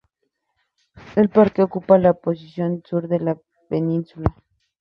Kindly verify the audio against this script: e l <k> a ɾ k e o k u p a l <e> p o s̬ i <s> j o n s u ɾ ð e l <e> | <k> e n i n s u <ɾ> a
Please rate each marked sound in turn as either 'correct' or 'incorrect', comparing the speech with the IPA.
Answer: incorrect: p, incorrect: a, correct, incorrect: a, incorrect: p, incorrect: l

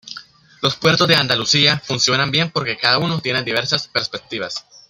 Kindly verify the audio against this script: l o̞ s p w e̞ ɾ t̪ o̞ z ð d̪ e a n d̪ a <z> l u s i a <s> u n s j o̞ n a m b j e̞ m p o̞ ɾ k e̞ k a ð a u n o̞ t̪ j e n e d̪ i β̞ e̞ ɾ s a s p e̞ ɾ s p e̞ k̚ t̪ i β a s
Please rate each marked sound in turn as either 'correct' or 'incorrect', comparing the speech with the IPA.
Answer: incorrect: none, incorrect: f

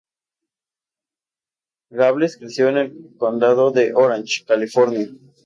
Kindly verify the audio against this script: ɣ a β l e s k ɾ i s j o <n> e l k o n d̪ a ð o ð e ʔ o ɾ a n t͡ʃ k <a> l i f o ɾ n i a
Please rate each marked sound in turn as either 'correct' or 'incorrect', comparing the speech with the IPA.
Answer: correct, correct

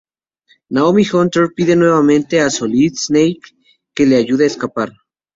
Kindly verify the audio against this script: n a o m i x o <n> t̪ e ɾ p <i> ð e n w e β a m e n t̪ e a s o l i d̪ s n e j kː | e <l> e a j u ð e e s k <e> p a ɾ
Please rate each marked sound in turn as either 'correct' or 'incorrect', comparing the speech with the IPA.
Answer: correct, correct, correct, incorrect: a

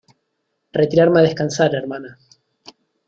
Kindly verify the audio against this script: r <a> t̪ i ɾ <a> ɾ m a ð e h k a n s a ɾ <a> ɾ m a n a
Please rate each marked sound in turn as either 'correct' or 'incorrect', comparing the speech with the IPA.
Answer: incorrect: e, correct, incorrect: e

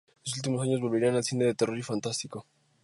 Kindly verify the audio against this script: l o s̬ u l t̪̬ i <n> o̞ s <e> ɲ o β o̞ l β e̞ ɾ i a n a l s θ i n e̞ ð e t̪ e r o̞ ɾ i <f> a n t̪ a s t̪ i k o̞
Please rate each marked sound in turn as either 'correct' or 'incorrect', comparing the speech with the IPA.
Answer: incorrect: m, incorrect: a, correct

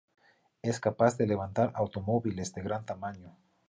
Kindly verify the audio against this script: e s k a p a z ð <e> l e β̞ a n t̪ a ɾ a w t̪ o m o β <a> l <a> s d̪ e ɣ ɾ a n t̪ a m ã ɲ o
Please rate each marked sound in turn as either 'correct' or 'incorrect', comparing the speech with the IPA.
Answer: correct, incorrect: i, incorrect: e

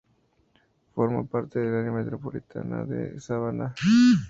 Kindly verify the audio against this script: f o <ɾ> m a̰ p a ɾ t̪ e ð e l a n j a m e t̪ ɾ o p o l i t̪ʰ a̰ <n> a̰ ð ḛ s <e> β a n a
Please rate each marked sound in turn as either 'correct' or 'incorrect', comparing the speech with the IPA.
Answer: correct, correct, incorrect: a

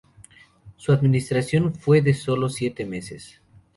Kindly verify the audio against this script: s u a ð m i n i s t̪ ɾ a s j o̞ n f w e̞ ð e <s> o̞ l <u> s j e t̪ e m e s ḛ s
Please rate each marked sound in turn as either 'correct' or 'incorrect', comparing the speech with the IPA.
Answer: correct, incorrect: o

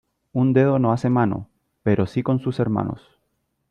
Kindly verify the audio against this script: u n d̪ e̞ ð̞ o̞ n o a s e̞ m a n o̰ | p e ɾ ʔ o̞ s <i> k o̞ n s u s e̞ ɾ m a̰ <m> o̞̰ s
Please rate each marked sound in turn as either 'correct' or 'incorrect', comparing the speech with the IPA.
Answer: correct, incorrect: n

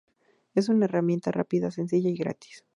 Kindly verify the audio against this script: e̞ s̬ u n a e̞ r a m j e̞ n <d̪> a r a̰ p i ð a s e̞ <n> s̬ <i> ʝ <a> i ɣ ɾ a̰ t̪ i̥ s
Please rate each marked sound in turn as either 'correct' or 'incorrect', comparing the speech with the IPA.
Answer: incorrect: t̪, correct, correct, correct

